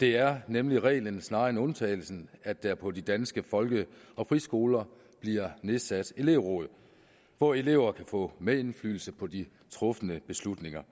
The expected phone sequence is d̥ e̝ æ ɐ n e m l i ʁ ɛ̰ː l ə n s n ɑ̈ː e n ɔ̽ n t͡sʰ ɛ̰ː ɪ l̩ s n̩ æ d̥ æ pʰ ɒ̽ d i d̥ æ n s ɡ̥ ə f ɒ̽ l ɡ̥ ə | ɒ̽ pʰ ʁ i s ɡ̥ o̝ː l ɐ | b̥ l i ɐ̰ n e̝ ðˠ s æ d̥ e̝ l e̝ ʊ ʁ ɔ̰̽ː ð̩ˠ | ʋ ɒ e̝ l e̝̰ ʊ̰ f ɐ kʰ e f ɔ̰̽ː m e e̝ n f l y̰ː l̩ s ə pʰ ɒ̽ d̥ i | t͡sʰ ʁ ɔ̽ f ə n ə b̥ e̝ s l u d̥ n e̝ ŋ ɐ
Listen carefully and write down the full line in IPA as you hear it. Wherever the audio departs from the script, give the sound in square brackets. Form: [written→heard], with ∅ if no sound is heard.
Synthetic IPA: d̥ e̝ æ ɐ n e m l i ʁ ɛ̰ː l ə n s n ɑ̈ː e n ɔ̽ n t͡sʰ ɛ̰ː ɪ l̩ s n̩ æ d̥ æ pʰ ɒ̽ d i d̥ æ n s ɡ̥ ə f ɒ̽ l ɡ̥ ə | ɒ̽ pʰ ʁ i s ɡ̥ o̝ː l ɐ | b̥ l i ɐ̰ n e̝ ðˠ s æ d̥ e̝ l e̝ ʊ ʁ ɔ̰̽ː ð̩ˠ | ʋ ɒ e̝ l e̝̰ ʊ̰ [f→∅] ɐ kʰ [e→æ] f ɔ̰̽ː m e e̝ n f l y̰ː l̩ s ə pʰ ɒ̽ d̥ i | t͡sʰ ʁ ɔ̽ f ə n ə b̥ e̝ s l u d̥ n e̝ ŋ ɐ